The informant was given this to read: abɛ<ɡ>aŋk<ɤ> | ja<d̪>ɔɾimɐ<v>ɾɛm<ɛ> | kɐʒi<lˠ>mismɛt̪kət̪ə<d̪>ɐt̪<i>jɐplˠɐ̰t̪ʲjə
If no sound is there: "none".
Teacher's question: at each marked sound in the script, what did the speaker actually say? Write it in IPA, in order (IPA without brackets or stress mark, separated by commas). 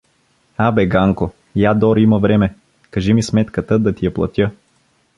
ɡ, o, d̪, v, ɛ, none, d̪, i